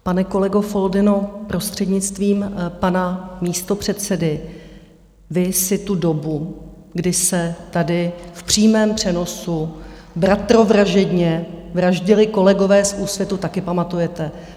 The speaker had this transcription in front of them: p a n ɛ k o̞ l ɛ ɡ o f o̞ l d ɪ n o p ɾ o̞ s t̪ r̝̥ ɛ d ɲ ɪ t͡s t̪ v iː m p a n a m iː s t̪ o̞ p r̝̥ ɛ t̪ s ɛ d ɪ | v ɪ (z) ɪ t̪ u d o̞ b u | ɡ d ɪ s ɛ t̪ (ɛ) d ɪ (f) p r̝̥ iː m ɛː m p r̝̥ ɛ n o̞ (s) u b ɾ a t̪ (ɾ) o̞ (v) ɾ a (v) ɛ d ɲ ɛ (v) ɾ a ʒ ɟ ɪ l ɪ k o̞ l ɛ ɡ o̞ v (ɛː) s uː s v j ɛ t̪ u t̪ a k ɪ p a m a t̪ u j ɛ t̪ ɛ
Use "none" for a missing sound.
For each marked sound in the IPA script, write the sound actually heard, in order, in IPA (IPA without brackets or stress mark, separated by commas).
s, a, f, s, ɾ, v, ʒ, v, ɛː